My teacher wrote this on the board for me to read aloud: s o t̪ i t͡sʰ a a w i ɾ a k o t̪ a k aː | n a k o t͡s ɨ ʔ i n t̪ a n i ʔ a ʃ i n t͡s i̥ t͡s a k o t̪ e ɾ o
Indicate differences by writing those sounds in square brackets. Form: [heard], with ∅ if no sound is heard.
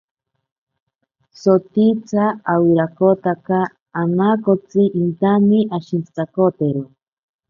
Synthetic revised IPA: s o t̪ i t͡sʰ a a w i ɾ a k o t̪ a k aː | n a k o t͡s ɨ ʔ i n t̪ a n i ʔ a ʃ i n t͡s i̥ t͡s a k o t̪ e ɾ o